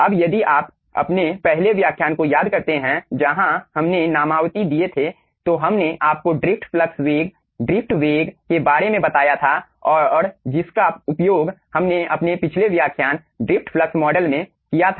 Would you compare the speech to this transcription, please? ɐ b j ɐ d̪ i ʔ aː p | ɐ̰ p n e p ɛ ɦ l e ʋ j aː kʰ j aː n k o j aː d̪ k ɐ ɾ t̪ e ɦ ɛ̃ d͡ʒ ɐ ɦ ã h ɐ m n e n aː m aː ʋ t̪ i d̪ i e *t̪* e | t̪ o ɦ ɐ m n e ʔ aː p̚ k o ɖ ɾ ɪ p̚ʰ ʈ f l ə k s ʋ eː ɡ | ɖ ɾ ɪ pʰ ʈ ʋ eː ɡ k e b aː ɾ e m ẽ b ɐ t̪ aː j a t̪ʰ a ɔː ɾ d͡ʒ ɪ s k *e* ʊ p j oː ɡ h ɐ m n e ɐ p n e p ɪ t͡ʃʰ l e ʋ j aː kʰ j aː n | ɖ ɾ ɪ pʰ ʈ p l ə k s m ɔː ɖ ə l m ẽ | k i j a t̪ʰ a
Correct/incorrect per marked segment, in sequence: incorrect: t̪ʰ, incorrect: a

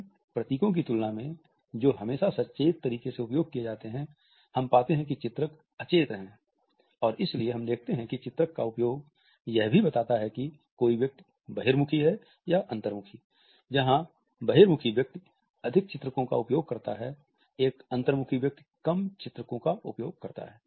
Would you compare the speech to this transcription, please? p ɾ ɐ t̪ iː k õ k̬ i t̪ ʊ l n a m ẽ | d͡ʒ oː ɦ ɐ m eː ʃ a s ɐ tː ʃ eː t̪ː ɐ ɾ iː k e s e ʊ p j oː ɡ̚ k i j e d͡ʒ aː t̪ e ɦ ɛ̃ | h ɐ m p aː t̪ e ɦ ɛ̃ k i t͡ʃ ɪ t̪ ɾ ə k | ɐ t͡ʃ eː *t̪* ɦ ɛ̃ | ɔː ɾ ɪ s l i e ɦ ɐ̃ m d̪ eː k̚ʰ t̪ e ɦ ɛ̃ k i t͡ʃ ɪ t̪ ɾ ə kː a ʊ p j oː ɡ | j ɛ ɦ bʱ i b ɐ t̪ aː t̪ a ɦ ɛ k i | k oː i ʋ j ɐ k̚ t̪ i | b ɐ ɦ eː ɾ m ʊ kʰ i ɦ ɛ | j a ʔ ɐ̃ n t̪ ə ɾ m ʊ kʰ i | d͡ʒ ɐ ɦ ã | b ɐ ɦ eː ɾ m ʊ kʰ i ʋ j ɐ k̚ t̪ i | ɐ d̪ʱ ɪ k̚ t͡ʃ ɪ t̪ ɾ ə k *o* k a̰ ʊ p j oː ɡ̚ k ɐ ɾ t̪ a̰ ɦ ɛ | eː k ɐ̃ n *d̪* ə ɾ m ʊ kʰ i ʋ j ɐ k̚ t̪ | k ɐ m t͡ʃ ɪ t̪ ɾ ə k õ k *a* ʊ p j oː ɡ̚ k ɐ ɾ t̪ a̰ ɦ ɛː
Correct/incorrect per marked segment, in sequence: correct, incorrect: õ, incorrect: t̪, correct

